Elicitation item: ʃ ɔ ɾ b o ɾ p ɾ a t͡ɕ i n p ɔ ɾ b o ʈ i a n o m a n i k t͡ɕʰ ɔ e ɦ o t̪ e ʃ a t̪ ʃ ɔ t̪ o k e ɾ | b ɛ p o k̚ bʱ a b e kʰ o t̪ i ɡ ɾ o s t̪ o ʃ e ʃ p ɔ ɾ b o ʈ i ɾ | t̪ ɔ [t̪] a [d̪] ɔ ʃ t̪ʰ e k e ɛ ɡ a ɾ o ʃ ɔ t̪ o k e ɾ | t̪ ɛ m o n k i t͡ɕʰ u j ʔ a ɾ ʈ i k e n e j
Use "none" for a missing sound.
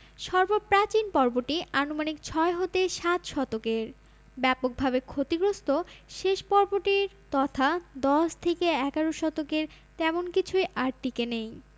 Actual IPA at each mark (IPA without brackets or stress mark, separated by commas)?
t̪ʰ, d̪